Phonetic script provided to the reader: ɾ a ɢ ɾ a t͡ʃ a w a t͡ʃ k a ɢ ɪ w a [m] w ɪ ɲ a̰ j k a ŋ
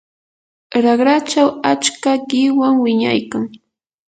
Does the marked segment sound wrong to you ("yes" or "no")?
yes